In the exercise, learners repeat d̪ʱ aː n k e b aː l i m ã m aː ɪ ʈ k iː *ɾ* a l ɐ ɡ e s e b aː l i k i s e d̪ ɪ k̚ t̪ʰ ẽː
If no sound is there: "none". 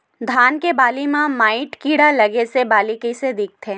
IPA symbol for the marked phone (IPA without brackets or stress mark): ɽ